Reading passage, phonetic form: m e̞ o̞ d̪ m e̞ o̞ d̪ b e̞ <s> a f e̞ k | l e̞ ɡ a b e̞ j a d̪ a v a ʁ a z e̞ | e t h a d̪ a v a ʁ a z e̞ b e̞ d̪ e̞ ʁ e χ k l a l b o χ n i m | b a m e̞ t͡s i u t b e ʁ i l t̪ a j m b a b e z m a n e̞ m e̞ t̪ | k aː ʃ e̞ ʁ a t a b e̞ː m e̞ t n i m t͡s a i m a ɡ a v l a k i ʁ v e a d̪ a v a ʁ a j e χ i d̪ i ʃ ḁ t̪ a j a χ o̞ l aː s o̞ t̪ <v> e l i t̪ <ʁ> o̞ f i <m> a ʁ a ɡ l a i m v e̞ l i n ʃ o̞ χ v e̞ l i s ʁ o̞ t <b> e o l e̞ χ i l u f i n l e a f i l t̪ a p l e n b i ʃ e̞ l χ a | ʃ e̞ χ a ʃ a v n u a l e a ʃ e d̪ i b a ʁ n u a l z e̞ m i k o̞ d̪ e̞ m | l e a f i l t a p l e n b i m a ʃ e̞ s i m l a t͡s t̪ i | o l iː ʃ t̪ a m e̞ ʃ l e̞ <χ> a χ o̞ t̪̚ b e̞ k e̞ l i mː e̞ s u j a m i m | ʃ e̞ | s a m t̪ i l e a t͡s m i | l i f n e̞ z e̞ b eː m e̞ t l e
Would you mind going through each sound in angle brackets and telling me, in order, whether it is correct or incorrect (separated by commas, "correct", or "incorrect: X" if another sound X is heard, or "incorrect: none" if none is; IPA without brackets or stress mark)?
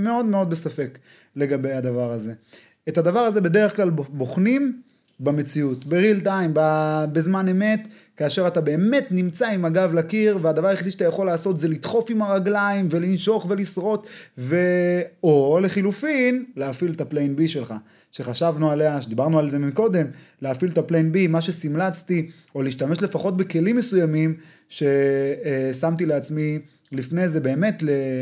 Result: correct, incorrect: z, incorrect: χ, correct, incorrect: v, incorrect: f